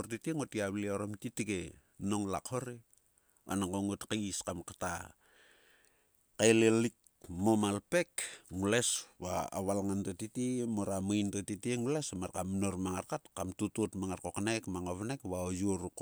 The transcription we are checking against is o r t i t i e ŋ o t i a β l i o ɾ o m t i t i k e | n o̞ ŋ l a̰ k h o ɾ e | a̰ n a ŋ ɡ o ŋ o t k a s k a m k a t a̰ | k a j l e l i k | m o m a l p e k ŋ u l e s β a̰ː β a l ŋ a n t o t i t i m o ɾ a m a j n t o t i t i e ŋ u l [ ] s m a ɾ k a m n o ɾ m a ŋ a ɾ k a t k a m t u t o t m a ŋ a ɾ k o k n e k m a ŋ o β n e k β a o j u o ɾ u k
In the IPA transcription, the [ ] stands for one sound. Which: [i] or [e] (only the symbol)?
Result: e